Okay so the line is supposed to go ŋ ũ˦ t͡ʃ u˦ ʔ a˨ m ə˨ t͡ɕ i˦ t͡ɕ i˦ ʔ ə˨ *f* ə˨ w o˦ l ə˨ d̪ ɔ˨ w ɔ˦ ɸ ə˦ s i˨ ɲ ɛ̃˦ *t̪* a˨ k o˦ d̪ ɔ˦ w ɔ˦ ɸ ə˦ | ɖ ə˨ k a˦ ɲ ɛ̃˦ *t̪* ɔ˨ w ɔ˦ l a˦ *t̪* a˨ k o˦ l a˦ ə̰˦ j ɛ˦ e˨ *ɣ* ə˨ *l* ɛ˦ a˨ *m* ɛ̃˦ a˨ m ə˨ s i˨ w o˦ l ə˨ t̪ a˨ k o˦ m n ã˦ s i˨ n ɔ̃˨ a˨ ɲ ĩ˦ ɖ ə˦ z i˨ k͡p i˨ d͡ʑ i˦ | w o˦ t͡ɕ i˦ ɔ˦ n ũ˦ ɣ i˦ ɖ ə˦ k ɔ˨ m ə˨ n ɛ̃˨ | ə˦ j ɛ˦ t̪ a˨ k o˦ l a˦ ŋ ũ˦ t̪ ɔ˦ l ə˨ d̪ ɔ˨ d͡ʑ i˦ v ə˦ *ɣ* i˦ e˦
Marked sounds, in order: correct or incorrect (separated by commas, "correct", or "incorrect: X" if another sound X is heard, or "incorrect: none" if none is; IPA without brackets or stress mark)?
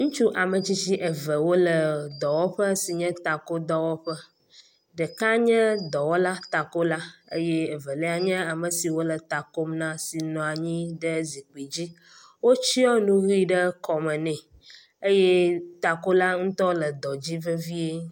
incorrect: v, correct, incorrect: d̪, correct, incorrect: v, correct, incorrect: ɲ, incorrect: v